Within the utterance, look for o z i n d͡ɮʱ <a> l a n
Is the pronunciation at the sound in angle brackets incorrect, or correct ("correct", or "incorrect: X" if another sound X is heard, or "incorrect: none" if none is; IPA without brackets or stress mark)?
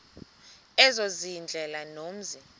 incorrect: ɛ